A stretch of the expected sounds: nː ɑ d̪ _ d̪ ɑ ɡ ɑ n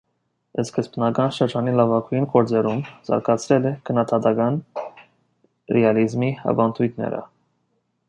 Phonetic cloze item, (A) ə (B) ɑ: B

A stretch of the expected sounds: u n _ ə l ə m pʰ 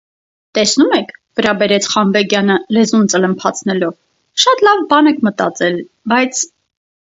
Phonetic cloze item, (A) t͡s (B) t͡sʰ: A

